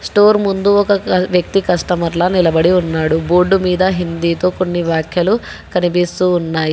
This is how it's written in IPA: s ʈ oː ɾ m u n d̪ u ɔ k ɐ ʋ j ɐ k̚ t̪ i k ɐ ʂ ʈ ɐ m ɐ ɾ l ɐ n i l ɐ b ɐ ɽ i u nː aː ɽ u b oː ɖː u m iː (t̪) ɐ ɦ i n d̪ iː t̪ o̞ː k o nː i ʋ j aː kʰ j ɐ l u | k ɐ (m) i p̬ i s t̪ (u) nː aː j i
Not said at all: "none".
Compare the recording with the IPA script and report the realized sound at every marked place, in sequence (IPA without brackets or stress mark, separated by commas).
d̪, n, uː